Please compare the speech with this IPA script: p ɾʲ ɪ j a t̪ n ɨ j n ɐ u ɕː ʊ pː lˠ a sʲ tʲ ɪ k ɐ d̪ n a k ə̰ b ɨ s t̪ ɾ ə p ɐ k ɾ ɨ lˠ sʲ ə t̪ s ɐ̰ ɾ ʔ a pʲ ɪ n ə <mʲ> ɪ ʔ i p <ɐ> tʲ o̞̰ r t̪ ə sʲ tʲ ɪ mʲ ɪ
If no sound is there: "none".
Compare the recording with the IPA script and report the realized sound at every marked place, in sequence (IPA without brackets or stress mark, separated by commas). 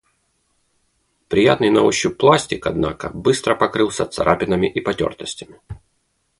mʲ, ɐ